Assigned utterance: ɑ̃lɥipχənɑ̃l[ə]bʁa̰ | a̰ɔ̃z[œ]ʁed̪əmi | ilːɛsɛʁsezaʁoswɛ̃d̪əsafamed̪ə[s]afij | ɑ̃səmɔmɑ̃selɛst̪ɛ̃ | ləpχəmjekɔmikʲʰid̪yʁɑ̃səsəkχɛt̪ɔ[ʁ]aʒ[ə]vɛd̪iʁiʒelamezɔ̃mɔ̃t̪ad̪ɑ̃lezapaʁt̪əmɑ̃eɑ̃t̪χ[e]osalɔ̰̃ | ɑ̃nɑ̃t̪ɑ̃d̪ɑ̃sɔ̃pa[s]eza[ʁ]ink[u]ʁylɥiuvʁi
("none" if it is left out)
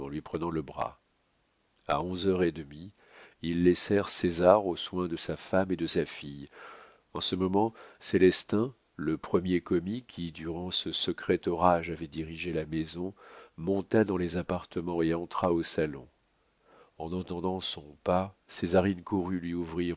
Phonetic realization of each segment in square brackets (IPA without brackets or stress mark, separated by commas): ə, œ, s, ʁ, a, a, s, ʁ, u